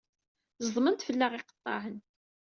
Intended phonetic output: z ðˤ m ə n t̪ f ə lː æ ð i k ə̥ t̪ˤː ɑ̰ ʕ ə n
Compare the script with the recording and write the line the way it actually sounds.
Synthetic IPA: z ðˤ m ə n t̪ f ə lː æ ʁ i q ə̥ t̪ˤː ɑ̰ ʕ ə n